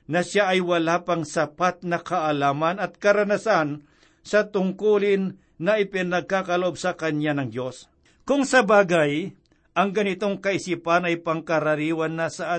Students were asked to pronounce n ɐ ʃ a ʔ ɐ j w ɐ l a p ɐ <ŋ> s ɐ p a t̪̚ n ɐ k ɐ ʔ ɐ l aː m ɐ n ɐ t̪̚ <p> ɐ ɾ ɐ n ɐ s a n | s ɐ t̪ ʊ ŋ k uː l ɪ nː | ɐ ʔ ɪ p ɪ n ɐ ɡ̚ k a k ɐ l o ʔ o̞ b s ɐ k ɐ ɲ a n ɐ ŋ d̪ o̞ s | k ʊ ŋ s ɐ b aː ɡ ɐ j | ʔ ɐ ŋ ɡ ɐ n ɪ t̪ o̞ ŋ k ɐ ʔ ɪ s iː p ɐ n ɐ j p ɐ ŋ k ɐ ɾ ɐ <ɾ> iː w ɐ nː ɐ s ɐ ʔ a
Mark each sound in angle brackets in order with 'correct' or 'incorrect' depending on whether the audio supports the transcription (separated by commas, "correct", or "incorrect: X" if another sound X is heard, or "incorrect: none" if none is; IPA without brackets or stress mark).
correct, incorrect: k, correct